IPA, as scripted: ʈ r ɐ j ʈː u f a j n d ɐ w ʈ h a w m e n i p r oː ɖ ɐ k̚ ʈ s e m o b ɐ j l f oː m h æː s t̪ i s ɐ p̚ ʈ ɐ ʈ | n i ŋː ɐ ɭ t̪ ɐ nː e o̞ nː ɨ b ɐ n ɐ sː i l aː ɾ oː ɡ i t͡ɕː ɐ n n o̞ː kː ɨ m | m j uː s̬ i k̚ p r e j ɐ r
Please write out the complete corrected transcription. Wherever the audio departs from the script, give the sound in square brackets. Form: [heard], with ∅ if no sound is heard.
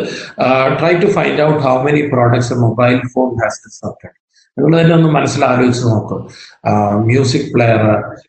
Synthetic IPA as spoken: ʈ r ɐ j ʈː u f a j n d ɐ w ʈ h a w m e n i p r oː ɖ ɐ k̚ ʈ s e m o b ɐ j l f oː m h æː s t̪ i s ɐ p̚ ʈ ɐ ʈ | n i ŋː ɐ ɭ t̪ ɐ nː e o̞ nː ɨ [m] ɐ n ɐ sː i l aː ɾ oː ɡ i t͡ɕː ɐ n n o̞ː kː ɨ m | m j uː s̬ i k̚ p [ɭ] e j ɐ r